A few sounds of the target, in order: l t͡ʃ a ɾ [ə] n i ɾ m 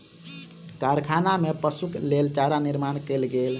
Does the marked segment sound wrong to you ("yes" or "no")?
yes